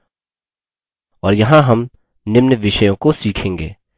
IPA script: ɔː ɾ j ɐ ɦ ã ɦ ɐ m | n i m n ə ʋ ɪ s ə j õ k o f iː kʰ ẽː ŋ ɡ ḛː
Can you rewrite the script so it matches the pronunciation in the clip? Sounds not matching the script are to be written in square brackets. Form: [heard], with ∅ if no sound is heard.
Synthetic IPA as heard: ɔː ɾ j ɐ ɦ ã ɦ ɐ m | n [ɪ] m n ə ʋ ɪ [ʃ] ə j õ k o [s] iː kʰ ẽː ŋ ɡ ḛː